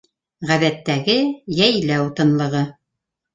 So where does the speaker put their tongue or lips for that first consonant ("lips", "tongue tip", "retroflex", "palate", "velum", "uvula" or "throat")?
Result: uvula